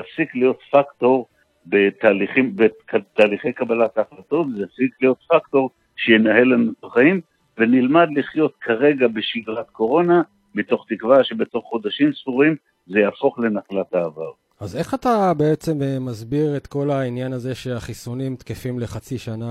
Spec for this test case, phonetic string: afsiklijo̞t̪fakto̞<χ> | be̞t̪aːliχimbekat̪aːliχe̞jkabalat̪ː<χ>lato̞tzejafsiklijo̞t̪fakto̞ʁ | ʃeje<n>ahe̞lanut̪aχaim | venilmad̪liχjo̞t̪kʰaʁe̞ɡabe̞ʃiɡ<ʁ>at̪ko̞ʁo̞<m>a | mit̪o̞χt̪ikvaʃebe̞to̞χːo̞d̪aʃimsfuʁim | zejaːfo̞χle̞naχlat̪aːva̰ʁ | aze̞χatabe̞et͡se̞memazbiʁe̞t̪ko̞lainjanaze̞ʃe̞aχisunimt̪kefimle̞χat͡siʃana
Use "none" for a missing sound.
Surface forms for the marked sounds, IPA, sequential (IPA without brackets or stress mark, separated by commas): ʁ, χ, n, ʁ, n